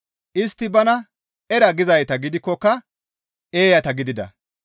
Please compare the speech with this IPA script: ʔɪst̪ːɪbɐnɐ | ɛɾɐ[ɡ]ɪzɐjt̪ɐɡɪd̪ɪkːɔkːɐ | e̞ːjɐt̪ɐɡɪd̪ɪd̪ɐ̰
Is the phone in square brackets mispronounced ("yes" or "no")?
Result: no